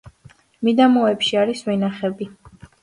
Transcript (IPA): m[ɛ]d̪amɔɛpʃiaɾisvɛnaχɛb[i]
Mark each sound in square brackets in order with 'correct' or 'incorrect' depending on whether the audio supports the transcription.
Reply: incorrect: i, correct

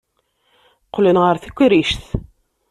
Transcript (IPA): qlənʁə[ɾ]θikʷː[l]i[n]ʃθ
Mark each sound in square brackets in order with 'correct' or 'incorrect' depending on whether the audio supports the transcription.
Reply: correct, incorrect: ɾ, incorrect: none

